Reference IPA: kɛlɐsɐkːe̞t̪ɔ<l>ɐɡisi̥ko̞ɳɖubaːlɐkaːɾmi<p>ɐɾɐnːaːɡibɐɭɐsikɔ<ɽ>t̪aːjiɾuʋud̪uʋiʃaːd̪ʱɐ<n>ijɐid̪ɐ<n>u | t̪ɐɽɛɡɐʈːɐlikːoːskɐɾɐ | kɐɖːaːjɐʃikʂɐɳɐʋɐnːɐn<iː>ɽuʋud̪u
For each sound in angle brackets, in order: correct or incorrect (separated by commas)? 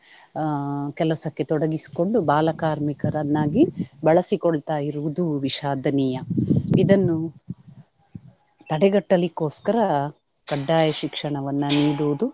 incorrect, incorrect, incorrect, correct, incorrect, correct